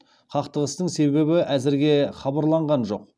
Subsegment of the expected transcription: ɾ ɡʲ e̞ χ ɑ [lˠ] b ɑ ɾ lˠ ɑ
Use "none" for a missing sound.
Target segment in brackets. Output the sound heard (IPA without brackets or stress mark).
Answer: none